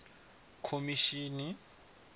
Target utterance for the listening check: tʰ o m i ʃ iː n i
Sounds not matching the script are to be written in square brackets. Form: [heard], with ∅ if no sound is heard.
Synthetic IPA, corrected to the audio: [kʰ] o m i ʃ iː n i